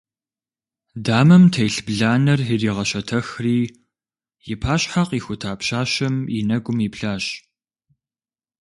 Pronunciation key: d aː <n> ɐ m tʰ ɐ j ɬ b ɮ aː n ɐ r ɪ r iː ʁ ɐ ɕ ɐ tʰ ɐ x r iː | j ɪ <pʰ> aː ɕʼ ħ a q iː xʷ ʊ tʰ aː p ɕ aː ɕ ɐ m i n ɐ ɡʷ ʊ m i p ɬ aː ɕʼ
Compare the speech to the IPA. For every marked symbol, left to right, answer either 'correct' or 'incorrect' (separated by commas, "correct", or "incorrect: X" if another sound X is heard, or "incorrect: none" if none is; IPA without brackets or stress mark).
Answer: incorrect: m, correct